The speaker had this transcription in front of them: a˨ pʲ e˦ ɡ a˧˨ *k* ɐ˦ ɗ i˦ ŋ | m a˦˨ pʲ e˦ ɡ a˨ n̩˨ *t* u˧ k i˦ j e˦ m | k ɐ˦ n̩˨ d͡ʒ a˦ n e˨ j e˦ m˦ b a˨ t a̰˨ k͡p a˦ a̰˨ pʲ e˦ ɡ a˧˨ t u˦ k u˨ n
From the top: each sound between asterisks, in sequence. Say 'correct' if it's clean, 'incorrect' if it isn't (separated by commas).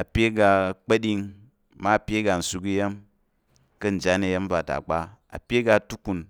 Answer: incorrect, incorrect